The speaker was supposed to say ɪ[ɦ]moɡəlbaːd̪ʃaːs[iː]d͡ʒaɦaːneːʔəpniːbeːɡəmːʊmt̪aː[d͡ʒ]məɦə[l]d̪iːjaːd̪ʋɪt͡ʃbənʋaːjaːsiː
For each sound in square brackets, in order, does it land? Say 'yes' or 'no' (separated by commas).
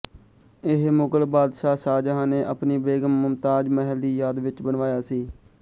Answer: yes, no, yes, yes